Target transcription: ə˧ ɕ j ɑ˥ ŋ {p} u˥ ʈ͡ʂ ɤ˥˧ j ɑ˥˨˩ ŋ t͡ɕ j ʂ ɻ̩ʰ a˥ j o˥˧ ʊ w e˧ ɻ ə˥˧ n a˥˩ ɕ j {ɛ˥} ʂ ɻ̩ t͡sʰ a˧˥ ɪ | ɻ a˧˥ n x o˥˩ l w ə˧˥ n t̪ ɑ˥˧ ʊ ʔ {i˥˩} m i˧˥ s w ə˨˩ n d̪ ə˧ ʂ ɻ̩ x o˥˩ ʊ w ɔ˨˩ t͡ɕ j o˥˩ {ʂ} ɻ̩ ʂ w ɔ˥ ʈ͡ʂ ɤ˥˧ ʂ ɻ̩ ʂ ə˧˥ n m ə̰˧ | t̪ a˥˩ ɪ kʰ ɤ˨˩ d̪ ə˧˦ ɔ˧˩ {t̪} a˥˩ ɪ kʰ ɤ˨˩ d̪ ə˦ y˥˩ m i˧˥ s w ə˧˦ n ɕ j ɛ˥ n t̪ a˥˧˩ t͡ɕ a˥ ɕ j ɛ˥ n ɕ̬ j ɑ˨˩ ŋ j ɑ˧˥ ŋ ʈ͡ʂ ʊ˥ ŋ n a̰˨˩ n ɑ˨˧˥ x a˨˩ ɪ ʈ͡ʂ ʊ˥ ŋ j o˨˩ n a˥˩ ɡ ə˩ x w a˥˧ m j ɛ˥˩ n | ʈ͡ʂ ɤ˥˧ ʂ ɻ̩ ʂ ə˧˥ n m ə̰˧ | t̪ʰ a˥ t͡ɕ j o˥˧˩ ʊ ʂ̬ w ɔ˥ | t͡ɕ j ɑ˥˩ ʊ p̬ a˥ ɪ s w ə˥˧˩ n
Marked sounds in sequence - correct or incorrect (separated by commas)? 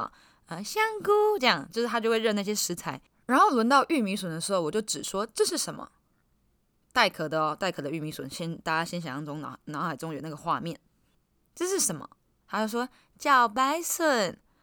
incorrect, correct, incorrect, incorrect, correct